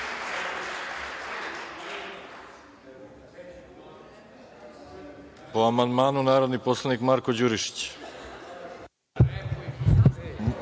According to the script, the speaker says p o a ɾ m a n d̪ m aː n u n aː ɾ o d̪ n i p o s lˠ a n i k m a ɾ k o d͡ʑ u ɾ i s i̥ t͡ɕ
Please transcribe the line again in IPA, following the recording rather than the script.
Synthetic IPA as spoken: p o a m a n d̪ m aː n u n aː ɾ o d̪ n i p o s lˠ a n i k m a ɾ k o d͡ʑ u ɾ i ʃ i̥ t͡ɕ